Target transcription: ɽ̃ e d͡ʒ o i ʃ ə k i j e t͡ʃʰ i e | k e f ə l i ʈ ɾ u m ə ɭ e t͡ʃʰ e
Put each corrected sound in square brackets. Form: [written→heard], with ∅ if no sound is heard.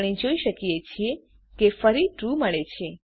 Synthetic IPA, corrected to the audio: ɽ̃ [e→i] d͡ʒ o i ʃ ə k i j e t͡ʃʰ i e | k e f ə [l→ɾ] i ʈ ɾ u m ə ɭ e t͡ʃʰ e